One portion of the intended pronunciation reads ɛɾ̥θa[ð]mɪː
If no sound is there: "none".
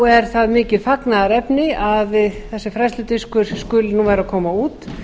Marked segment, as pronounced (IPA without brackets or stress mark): ð